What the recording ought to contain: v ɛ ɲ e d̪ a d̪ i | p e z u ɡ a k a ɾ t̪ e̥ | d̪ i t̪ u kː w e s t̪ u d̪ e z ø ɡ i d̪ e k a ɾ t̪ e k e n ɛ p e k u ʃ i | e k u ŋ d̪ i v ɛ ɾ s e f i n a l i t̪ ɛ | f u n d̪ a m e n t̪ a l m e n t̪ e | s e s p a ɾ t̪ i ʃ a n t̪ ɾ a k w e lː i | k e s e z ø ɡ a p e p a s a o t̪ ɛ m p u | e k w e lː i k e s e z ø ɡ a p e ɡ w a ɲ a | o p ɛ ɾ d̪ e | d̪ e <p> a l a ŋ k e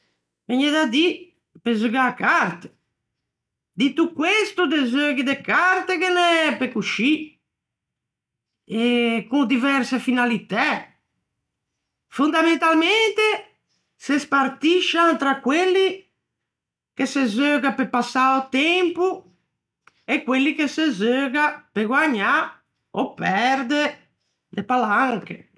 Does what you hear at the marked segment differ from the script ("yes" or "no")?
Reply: no